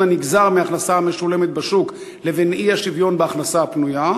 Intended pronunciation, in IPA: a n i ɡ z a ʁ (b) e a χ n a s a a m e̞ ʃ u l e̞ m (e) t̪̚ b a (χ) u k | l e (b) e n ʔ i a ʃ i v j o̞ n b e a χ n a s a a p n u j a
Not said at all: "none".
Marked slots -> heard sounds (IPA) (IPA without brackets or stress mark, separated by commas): m, e, ʃ, v